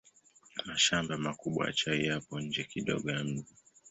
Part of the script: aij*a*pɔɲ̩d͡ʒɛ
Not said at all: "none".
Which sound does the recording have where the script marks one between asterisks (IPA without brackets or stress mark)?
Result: a